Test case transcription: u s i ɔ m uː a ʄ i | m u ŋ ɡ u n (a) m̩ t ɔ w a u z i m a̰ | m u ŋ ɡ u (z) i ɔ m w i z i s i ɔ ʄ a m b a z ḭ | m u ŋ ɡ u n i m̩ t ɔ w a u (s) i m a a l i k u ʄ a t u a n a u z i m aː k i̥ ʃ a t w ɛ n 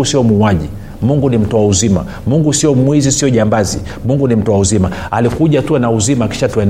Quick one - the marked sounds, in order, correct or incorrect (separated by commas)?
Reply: incorrect, incorrect, incorrect